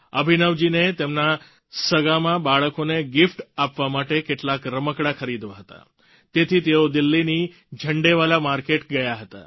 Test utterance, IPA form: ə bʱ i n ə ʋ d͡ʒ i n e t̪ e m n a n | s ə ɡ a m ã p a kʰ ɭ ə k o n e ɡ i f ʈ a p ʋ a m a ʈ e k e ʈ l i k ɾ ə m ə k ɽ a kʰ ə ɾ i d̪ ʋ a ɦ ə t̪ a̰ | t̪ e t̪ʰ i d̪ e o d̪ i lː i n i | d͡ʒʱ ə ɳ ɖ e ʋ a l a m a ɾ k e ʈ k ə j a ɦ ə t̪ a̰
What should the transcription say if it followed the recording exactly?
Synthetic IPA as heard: ə bʱ i n ə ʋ d͡ʒ i n e t̪ e m n a | s ə ɡ a m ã b a ɭ ə k o n e ɡ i f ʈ a p ʋ a m a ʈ e k e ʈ l a k ɾ ə m ə k ɽ a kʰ ə ɾ i d̪ ʋ a ɦ ə t̪ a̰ | t̪ e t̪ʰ i t̪ e o d̪ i lː i n i | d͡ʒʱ ə ɳ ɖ e ʋ a l a m a ɾ k e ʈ ɡ ə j a ɦ ə t̪ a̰